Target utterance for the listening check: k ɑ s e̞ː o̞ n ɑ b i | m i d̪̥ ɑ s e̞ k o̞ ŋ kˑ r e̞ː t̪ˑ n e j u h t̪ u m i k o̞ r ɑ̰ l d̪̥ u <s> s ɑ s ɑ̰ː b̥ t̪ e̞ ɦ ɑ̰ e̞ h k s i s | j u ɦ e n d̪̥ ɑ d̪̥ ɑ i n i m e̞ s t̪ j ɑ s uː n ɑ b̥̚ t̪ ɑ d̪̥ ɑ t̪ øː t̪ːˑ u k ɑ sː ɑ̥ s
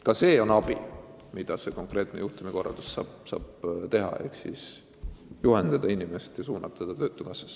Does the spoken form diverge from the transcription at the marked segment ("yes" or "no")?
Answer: no